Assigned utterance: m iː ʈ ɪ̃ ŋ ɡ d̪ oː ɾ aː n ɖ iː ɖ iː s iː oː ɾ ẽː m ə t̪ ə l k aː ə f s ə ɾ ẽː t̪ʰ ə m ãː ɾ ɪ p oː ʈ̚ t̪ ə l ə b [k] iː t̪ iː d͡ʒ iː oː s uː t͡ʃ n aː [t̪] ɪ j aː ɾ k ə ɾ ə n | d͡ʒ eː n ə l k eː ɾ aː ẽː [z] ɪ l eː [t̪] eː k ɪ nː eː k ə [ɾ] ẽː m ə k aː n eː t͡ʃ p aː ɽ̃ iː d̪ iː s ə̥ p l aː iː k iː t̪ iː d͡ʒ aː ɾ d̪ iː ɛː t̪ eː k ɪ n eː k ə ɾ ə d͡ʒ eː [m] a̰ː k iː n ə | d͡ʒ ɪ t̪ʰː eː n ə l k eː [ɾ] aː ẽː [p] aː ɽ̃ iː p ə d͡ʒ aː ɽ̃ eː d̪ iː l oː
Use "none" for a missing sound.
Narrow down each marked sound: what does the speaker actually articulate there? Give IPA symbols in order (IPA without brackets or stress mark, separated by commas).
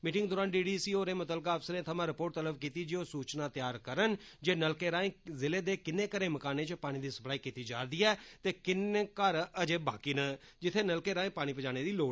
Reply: k, t̪, z, d̪, ɾ, b, ɾ, p